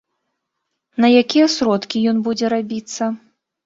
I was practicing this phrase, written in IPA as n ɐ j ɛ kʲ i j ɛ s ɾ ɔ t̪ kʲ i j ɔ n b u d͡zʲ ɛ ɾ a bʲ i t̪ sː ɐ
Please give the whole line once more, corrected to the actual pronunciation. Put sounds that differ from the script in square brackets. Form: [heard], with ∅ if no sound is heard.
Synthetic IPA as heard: n ɐ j [a] kʲ i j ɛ s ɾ ɔ t̪ kʲ i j ɔ n b u d͡zʲ ɛ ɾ a bʲ i t̪ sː ɐ